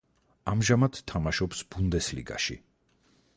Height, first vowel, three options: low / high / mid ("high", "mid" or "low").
low